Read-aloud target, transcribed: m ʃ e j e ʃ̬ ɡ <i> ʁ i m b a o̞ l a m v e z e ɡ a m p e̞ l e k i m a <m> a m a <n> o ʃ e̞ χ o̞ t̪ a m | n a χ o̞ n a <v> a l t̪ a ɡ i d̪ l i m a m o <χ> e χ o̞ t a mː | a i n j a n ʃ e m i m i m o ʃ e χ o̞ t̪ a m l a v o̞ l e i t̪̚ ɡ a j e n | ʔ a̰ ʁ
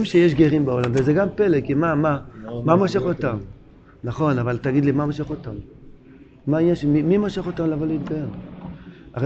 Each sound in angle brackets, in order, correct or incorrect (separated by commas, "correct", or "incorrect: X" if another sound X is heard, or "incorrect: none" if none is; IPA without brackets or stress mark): incorrect: e, correct, incorrect: m, correct, incorrect: ʃ